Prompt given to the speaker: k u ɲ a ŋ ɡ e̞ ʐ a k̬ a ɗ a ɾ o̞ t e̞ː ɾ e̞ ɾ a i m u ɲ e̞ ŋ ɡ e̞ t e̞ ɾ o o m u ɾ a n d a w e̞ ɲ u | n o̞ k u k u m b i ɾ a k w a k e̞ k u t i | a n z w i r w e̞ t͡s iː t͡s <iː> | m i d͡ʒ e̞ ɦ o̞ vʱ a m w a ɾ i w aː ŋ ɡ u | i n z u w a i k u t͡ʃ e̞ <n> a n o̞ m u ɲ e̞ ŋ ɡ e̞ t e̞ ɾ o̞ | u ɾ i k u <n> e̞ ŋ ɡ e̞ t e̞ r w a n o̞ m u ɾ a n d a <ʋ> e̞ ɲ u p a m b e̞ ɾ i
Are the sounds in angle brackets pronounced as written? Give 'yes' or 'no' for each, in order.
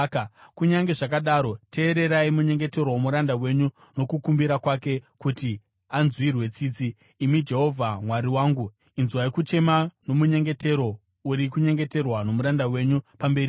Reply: yes, no, no, no

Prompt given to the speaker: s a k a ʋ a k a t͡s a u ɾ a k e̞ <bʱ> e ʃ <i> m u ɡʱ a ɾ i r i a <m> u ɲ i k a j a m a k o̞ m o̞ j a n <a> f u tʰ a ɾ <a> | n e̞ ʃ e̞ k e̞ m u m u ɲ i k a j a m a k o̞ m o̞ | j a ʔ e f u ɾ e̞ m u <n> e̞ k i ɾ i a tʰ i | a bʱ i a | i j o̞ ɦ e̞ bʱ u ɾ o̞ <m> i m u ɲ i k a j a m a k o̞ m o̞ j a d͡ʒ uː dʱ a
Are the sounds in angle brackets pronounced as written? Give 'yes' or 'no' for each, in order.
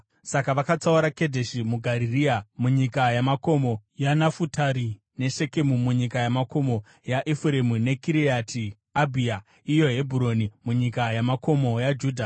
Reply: no, yes, yes, yes, no, yes, no

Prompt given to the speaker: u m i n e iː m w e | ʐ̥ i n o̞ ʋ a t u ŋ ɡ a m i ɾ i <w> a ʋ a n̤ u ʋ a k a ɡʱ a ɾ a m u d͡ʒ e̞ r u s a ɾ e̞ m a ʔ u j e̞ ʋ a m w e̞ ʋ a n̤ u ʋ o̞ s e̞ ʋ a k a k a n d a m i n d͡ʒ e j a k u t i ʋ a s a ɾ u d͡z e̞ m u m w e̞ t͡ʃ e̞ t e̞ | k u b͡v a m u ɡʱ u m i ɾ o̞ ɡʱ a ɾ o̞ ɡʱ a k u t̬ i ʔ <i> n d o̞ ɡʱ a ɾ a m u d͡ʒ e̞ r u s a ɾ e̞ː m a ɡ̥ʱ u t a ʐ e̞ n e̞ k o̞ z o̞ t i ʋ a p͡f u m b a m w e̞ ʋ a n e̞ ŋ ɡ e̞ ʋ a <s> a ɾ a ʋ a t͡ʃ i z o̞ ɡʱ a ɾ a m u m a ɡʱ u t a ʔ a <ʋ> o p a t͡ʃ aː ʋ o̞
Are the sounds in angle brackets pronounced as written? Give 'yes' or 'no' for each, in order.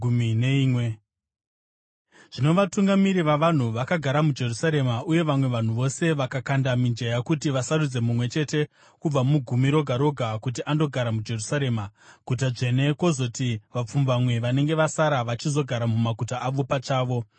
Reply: no, no, yes, yes

